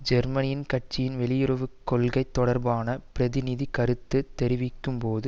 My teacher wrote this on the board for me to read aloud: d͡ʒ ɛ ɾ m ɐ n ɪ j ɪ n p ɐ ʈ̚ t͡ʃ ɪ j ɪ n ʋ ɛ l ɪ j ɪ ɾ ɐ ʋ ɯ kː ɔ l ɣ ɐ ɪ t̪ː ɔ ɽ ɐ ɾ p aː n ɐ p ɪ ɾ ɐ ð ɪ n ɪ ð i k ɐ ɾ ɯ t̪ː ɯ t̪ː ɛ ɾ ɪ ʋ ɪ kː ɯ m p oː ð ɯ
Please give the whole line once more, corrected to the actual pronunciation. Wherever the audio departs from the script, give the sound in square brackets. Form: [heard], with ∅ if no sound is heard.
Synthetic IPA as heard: d͡ʒ ɛ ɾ m ɐ n ɪ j ɪ n [k] ɐ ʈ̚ t͡ʃ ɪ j ɪ n ʋ ɛ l ɪ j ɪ ɾ ɐ ʋ ɯ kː ɔ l ɣ ɐ ɪ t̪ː ɔ ɽ ɐ ɾ [b] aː n ɐ p ɪ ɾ ɐ ð ɪ n ɪ ð i k ɐ ɾ ɯ t̪ː ɯ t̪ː ɛ ɾ ɪ ʋ ɪ kː ɯ m p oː ð ɯ